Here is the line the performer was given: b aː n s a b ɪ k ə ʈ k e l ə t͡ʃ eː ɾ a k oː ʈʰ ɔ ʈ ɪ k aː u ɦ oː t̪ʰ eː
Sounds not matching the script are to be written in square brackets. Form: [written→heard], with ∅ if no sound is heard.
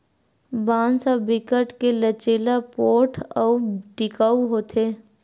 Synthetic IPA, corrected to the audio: b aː n s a b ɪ k ə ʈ k e l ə t͡ʃ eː [ɾ→l] a [k→p] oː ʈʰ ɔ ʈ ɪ k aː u ɦ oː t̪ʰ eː